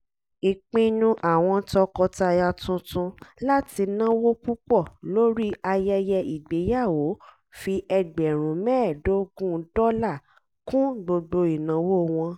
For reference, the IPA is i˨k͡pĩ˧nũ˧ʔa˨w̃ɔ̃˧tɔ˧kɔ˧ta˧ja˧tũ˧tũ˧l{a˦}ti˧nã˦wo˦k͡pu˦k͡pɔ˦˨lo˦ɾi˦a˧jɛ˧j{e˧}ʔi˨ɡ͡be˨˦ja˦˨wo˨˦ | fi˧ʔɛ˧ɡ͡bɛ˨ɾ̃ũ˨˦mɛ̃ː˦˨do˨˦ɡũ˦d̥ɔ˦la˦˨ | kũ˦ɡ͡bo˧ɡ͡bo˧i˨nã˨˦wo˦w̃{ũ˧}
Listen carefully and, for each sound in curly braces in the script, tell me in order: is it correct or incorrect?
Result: correct, incorrect: ɛ˧, incorrect: ɔ̃˧

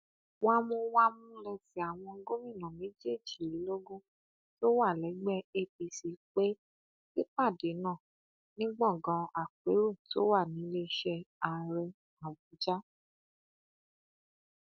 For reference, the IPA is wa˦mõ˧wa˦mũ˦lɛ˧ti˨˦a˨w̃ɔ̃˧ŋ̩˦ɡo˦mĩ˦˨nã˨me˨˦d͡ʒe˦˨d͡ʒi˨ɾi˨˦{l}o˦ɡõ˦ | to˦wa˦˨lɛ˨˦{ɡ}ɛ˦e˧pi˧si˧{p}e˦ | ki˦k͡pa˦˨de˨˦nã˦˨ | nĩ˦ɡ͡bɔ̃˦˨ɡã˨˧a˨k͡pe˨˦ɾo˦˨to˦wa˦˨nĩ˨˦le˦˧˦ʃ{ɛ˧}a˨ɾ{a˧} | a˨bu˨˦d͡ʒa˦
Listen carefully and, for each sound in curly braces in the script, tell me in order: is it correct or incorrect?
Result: correct, incorrect: ɡ͡b, incorrect: k͡p, correct, incorrect: ɛ˧

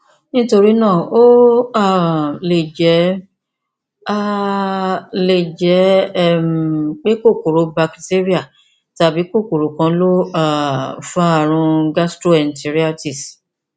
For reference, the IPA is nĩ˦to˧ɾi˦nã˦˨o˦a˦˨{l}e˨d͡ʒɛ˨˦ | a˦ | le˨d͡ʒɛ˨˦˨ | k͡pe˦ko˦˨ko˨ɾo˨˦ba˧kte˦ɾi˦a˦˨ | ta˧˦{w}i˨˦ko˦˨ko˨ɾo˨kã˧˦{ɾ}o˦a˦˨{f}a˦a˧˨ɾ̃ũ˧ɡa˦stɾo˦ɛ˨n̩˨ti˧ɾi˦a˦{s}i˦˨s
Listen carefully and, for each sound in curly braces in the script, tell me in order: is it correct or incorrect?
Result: correct, incorrect: b, incorrect: l, correct, incorrect: t

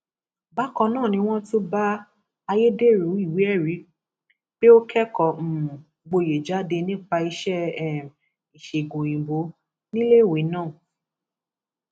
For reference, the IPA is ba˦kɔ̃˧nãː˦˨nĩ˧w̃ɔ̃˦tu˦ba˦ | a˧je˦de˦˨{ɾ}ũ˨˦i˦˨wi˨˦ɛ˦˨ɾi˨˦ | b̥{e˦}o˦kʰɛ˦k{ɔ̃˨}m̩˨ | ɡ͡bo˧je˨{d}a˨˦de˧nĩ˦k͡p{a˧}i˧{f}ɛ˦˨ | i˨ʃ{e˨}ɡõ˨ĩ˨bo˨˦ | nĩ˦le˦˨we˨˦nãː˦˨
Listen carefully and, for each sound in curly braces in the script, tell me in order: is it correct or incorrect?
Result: correct, correct, incorrect: ɔ˨, incorrect: d͡ʒ, correct, incorrect: ʃ, correct

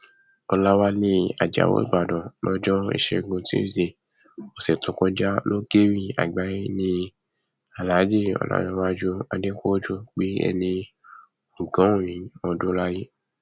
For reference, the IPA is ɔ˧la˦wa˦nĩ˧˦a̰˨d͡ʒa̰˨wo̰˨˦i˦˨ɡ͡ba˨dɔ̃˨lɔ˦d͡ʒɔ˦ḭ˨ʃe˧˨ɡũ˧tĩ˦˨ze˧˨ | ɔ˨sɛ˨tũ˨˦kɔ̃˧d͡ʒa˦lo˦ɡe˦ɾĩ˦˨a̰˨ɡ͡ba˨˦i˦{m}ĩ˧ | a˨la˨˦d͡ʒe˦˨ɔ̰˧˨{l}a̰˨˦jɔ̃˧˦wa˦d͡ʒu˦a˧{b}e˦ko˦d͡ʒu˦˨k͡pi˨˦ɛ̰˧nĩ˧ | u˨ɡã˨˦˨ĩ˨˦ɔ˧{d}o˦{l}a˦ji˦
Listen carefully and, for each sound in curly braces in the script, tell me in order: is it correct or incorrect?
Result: incorrect: n, correct, incorrect: d, correct, correct

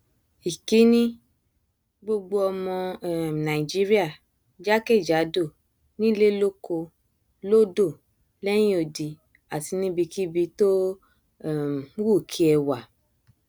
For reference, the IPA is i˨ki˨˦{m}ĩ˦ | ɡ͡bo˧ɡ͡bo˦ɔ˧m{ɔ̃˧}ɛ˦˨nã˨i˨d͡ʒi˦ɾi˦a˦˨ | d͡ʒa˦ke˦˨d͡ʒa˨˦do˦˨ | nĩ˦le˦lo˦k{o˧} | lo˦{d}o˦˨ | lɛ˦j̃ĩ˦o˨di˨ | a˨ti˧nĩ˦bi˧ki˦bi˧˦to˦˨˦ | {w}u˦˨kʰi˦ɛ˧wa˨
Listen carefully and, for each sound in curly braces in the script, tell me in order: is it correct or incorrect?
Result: incorrect: n, correct, correct, correct, correct

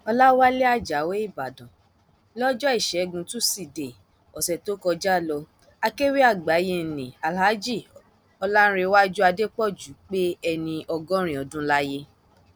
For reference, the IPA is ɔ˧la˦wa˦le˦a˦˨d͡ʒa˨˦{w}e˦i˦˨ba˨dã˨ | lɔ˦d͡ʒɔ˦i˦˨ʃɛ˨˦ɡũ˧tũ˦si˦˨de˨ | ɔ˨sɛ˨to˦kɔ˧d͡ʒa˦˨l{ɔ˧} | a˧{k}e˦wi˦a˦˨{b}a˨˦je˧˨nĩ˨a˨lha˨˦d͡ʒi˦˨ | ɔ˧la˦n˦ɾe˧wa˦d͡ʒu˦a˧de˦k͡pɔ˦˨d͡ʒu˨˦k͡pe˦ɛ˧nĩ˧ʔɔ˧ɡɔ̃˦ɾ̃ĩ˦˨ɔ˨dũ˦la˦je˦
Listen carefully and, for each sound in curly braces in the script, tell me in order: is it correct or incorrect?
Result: correct, correct, correct, incorrect: ɡ͡b

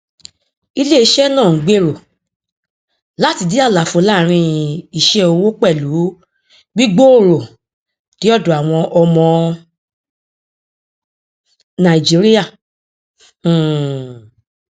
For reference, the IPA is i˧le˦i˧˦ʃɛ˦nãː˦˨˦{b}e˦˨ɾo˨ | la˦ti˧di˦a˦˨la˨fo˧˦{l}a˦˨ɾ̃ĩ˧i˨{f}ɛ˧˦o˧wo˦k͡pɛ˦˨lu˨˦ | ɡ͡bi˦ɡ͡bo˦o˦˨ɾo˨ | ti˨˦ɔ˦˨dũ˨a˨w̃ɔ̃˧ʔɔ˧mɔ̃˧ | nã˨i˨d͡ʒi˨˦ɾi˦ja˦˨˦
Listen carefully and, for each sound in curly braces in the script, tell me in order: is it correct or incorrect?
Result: incorrect: ɡ͡b, correct, incorrect: ʃ

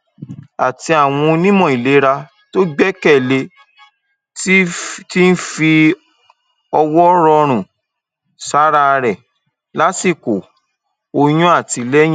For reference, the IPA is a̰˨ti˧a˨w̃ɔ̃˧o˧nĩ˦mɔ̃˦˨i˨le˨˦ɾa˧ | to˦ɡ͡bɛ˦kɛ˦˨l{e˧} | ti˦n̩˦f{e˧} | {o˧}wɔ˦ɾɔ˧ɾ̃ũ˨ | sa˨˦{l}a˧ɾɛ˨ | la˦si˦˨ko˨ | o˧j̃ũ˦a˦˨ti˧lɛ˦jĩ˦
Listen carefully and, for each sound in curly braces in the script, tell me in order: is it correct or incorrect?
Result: correct, incorrect: i˧, incorrect: ɔ˧, incorrect: ɾ

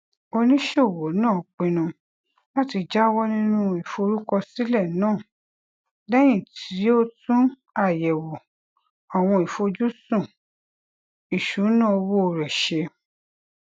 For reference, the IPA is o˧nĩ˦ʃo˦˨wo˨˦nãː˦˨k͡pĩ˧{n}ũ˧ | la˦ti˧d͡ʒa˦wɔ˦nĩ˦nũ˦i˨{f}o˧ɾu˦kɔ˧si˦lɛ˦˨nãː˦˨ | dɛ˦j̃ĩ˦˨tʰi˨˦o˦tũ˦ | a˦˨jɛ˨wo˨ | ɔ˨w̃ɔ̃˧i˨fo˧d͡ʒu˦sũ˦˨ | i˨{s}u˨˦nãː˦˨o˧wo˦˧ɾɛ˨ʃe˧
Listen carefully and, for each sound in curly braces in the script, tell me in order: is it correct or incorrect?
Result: correct, correct, incorrect: ʃ

